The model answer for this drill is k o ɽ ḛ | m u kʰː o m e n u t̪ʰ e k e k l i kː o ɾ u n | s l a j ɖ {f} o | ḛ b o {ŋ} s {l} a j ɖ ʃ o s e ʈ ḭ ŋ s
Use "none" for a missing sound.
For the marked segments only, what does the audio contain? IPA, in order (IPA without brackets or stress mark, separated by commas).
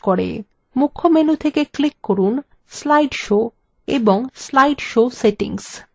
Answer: ʃ, ŋ, l